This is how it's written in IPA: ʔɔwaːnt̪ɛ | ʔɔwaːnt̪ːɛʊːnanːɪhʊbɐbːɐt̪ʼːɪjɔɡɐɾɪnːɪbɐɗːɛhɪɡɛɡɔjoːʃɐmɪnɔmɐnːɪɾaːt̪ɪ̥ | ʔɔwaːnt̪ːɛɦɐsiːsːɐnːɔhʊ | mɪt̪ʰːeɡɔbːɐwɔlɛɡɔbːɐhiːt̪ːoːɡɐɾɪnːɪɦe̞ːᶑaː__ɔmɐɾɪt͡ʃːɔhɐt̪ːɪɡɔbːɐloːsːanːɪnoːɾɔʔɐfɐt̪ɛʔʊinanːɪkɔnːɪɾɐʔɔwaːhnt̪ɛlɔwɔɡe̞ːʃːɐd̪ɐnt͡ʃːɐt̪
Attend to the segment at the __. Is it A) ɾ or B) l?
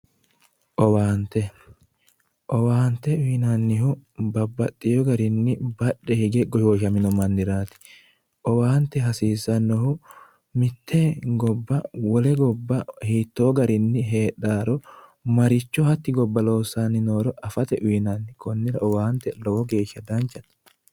A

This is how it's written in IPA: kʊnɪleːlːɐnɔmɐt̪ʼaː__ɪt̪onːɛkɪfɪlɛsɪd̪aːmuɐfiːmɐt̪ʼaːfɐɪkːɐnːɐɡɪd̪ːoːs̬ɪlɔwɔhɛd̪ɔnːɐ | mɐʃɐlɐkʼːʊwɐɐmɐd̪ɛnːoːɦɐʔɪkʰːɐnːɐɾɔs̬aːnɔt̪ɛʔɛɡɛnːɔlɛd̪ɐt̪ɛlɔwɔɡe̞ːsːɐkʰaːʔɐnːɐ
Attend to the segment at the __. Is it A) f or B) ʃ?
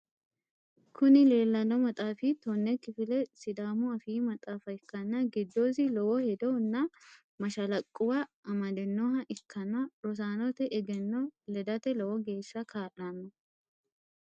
A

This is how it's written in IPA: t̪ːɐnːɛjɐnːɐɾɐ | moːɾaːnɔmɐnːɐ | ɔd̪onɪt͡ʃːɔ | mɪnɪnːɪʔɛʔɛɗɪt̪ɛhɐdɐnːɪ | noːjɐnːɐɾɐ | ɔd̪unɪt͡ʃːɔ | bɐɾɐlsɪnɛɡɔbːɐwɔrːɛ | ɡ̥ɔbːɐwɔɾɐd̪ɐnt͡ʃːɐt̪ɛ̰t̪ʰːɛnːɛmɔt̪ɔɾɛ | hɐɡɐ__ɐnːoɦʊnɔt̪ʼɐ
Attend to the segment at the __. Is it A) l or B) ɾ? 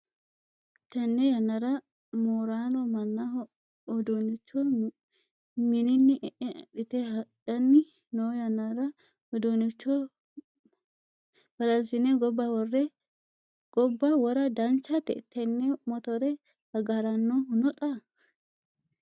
B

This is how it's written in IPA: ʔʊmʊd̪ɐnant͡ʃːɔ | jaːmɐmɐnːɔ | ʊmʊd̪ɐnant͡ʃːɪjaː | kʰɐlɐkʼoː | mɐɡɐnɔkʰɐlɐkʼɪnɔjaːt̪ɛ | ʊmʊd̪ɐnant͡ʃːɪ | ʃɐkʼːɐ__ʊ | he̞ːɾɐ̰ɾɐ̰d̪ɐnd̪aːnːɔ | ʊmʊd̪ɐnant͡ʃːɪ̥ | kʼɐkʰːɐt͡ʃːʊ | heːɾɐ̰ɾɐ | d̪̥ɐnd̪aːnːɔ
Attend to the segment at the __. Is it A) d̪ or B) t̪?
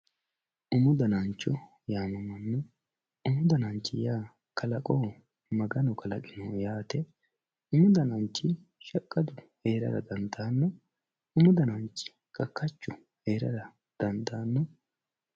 A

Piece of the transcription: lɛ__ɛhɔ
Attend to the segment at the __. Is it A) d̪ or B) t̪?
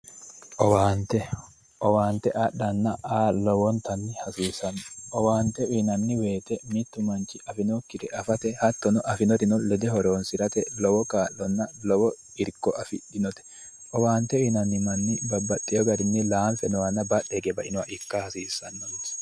A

